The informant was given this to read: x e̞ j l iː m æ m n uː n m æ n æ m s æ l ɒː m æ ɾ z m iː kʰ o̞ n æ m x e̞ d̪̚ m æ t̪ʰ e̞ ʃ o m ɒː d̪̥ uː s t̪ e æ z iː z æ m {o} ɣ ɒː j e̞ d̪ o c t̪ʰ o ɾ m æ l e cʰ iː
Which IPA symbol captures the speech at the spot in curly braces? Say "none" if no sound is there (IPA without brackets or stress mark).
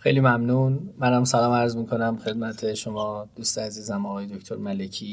ɒ